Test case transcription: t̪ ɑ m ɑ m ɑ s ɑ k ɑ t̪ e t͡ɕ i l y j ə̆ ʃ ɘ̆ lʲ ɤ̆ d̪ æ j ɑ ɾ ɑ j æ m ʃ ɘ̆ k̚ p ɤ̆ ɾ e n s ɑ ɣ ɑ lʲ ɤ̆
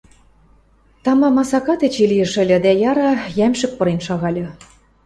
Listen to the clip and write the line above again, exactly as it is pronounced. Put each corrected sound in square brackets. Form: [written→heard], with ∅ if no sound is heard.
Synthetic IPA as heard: t̪ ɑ m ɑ m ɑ s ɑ k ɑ t̪ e t͡ɕ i l [y→i] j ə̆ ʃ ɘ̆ lʲ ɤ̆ d̪ æ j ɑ ɾ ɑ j æ m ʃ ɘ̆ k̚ p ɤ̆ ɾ e n [s→ʃ] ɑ ɣ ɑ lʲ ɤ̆